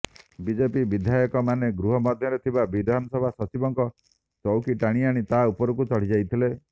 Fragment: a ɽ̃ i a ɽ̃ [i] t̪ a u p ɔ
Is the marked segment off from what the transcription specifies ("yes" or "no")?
no